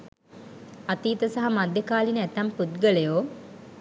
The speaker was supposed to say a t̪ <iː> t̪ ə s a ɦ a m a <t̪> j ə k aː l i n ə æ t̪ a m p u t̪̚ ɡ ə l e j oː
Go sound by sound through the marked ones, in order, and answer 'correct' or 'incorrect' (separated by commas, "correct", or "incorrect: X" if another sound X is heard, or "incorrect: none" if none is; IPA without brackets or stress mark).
correct, incorrect: d̪